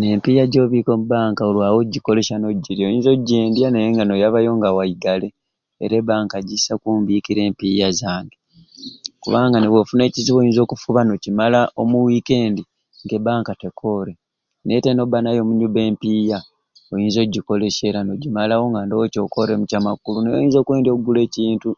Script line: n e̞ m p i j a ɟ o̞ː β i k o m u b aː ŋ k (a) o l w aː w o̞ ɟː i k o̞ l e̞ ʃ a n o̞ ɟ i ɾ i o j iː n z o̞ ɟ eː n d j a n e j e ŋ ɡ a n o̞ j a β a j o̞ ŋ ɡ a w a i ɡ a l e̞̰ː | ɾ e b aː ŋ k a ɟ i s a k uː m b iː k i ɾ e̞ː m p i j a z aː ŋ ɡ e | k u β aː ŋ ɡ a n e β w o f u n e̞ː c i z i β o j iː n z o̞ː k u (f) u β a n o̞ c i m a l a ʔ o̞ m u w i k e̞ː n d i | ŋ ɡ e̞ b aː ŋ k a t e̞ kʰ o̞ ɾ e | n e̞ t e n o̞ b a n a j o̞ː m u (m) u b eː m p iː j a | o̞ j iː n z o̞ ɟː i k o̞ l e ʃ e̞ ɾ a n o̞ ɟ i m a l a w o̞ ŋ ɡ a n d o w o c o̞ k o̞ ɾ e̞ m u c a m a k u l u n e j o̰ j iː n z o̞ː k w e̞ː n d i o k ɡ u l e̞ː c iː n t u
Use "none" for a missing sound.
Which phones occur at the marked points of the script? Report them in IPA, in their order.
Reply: a, f, ɲ

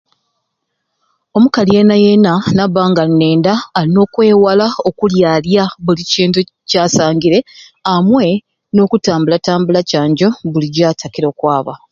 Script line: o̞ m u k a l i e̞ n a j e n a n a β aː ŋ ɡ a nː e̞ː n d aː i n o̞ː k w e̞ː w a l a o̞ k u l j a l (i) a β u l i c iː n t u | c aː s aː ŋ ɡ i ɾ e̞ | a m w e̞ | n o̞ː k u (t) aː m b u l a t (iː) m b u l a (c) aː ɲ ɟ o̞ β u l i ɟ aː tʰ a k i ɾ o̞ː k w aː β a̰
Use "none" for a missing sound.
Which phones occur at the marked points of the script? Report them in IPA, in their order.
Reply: j, t, aː, c

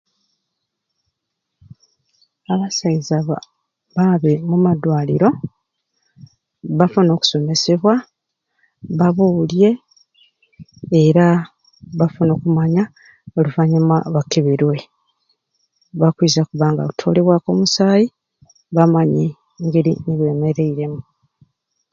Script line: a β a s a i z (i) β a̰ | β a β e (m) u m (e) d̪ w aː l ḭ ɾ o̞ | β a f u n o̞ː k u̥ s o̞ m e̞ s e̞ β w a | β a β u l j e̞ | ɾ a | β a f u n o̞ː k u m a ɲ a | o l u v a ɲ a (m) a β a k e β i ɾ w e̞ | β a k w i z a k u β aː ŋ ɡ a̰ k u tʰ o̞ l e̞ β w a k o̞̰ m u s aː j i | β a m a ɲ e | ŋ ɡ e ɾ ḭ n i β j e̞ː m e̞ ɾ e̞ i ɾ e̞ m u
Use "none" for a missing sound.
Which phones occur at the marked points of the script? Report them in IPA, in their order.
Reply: a, m, a, m

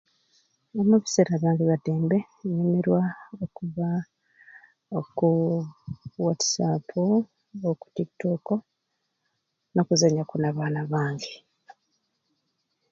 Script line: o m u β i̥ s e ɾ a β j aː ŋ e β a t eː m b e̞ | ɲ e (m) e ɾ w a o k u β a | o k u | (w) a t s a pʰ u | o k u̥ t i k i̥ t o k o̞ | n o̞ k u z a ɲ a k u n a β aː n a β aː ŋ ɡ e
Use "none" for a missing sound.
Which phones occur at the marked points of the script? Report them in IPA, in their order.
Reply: m, w

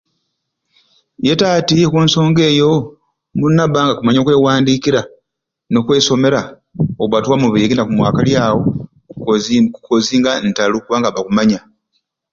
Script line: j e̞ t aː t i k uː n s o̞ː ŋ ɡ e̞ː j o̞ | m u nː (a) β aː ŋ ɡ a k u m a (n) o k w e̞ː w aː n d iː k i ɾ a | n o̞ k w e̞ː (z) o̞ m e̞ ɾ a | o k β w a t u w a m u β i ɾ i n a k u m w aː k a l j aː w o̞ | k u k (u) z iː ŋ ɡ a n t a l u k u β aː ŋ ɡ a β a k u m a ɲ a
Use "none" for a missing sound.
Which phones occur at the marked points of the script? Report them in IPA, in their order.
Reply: a, ɲ, s, o

